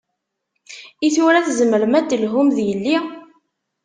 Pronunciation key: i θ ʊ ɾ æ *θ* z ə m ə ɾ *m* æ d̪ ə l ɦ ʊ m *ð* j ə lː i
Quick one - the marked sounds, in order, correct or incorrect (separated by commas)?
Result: correct, correct, correct